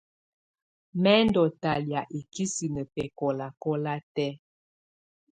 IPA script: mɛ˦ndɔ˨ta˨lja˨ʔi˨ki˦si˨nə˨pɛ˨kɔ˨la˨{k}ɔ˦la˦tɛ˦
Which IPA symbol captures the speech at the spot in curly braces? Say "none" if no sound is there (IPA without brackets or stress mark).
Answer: k